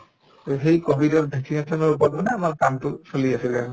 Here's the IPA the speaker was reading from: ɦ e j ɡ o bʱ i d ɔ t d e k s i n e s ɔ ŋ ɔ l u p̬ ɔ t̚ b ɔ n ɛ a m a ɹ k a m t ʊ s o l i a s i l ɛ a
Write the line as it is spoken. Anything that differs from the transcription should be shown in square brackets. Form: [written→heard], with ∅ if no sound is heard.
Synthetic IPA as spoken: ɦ e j [ɡ→k] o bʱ i d ɔ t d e k s i n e s ɔ [ŋ→n] ɔ [l→ɹ] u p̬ ɔ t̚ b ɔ n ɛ a m a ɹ k a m t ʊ s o l i a s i l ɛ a